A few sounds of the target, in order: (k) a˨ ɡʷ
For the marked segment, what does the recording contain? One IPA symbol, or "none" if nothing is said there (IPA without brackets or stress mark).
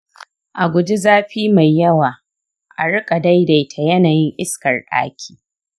ʔ